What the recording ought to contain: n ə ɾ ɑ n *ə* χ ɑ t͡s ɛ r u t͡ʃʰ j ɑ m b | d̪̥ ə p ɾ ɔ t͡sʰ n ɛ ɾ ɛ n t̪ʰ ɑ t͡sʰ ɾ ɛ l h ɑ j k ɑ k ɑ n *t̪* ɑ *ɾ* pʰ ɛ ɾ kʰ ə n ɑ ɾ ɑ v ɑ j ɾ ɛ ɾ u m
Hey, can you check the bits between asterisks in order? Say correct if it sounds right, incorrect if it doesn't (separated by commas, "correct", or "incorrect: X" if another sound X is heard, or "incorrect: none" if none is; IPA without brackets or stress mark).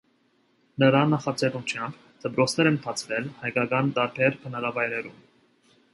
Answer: incorrect: ɑ, correct, correct